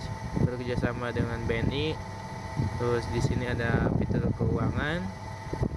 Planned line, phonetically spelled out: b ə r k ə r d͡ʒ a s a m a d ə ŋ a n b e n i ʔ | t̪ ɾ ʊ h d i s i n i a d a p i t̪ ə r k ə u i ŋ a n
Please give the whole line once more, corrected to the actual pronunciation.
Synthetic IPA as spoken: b ə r k ə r d͡ʒ a s a m a d ə ŋ a n b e n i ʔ | t̪ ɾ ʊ s d i s i n i a d a p i t̪ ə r k ə u a ŋ a n